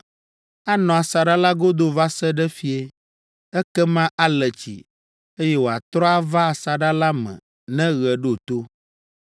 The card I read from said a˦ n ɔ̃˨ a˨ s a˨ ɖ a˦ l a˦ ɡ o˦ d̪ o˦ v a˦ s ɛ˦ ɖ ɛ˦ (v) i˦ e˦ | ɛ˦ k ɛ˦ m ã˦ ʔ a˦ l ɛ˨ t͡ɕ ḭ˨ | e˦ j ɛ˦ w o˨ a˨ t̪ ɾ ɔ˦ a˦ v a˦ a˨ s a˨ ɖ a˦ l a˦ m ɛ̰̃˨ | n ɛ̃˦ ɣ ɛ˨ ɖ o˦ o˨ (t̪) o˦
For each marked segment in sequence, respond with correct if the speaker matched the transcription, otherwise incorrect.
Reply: incorrect: f, correct

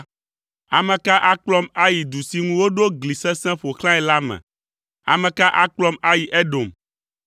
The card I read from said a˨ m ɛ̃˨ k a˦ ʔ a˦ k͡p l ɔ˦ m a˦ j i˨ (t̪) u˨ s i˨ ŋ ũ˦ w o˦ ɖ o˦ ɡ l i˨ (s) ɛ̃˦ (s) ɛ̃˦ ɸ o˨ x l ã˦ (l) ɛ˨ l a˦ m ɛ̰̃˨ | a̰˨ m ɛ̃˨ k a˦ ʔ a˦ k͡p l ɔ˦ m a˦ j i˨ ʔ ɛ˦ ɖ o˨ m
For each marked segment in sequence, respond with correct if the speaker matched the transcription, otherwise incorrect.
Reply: incorrect: d̪, correct, correct, incorrect: none

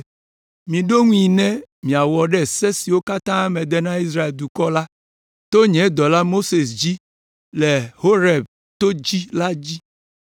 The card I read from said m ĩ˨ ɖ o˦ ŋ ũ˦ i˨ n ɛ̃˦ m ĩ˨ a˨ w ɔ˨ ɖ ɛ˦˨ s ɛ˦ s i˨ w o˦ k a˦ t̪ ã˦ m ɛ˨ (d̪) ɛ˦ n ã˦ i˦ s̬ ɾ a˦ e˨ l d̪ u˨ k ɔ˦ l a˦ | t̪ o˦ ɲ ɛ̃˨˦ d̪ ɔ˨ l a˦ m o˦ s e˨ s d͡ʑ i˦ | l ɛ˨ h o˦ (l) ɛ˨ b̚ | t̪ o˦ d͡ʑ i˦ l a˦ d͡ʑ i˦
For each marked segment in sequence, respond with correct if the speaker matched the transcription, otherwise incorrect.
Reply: correct, incorrect: ɾ

